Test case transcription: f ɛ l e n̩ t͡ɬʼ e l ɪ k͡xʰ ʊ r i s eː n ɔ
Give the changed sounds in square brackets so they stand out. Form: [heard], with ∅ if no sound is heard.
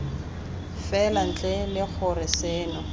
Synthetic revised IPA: f ɛ l [a] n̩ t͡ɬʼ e l ɪ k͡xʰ ʊ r [ɪ] s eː n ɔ